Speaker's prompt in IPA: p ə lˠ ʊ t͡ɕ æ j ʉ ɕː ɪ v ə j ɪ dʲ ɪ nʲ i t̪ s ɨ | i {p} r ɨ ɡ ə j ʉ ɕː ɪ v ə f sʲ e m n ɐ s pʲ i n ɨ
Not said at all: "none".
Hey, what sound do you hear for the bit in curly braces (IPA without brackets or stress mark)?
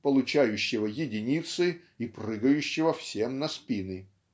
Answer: p